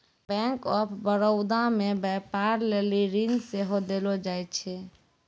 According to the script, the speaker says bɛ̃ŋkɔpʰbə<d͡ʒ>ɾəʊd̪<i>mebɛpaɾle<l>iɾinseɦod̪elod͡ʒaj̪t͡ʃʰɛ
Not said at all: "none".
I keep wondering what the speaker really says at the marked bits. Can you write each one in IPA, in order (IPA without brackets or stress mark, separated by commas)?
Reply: none, a, l